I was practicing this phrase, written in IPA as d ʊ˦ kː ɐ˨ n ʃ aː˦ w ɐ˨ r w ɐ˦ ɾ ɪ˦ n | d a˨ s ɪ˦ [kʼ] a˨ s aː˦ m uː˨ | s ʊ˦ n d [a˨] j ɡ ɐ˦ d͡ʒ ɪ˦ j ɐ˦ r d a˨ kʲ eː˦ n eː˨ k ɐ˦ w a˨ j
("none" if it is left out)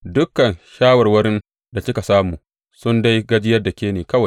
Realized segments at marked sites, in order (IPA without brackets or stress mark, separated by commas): k, a˦